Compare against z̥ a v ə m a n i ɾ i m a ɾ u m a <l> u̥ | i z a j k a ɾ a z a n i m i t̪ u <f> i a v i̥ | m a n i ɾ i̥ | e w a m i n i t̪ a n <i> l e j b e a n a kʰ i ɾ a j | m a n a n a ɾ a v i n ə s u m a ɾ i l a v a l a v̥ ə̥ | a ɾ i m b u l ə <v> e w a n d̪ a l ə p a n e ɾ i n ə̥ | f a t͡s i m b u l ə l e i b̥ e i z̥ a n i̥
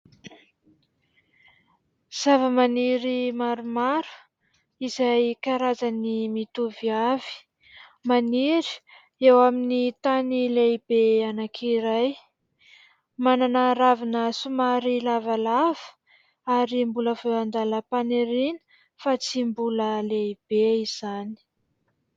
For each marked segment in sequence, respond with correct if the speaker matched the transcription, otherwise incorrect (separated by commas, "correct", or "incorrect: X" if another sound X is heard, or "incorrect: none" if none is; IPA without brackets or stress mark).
incorrect: ɾ, incorrect: v, correct, correct